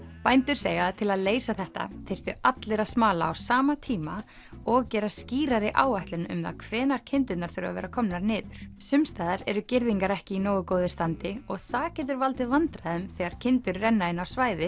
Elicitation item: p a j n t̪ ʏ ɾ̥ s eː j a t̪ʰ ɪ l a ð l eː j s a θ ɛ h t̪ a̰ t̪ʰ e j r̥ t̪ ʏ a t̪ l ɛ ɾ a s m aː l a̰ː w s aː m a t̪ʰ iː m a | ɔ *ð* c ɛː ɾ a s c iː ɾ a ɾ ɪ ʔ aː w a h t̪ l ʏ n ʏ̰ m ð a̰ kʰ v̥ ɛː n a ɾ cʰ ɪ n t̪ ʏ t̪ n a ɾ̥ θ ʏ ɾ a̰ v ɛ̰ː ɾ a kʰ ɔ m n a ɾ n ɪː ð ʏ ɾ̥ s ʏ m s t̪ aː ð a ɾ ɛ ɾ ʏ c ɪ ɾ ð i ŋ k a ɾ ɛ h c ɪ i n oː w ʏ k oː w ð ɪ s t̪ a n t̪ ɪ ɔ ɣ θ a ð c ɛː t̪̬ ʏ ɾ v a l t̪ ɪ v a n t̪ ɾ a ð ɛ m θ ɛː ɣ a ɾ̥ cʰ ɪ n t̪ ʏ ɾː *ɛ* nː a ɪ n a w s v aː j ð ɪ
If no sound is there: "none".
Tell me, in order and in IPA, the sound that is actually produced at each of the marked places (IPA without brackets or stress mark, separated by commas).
ɣ, ɛ